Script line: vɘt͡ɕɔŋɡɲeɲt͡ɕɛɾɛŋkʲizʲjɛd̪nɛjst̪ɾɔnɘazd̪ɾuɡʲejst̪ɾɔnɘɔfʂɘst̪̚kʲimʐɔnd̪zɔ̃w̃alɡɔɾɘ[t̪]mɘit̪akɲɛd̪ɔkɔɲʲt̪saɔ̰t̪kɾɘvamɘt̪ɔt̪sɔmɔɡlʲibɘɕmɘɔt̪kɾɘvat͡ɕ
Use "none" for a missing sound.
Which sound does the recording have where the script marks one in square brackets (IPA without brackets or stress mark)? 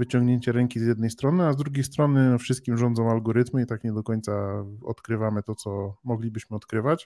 t̪